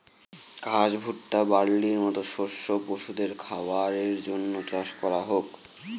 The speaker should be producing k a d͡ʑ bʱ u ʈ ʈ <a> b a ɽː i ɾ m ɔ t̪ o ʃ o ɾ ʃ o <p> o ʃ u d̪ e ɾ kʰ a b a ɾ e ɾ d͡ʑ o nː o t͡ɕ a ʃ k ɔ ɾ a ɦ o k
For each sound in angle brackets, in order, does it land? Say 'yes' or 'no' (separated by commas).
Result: yes, yes